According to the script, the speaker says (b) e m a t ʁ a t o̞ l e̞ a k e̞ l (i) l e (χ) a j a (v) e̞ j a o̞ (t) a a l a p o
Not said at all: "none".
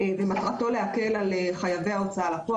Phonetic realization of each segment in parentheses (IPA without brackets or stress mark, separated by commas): v, a, χ, v, t͡s